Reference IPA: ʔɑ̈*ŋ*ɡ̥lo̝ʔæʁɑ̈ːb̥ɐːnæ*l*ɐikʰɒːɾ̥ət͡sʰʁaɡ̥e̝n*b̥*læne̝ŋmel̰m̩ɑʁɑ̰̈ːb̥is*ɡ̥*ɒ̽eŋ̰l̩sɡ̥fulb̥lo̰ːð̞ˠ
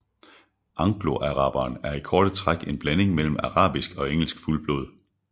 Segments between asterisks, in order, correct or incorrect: correct, incorrect: none, correct, correct

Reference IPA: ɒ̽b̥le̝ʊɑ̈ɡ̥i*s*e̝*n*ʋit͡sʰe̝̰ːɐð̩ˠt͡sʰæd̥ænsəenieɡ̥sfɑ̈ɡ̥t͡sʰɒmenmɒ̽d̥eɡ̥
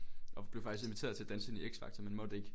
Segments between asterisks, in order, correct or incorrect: correct, correct

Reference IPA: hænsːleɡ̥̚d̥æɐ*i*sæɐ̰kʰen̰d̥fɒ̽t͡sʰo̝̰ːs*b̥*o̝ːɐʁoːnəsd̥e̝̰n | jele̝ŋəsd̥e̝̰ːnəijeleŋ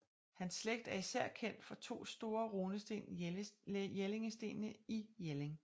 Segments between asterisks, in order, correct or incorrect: correct, incorrect: d̥

